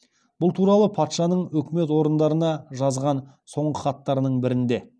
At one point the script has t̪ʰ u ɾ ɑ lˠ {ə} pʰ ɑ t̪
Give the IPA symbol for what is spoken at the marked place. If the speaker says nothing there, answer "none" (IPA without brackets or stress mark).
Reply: ə